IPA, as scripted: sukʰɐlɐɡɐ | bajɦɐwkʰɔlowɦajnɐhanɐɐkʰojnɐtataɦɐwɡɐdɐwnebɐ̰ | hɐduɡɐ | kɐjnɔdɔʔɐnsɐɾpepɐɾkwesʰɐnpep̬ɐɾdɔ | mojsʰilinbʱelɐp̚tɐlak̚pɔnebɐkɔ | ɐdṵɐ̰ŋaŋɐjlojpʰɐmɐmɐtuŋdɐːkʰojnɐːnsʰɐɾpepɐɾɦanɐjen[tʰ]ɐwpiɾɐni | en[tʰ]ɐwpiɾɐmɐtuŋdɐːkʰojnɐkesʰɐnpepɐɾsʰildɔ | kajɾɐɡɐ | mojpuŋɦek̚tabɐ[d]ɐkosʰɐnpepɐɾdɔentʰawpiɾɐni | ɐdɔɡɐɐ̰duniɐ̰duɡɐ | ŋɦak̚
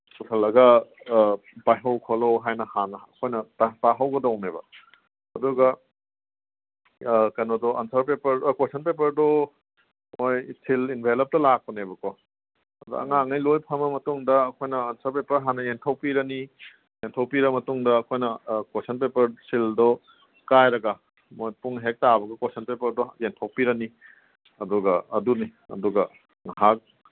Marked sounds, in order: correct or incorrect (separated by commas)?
correct, correct, incorrect